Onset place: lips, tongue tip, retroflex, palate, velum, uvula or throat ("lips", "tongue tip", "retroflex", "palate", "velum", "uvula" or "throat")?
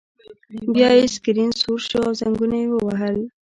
lips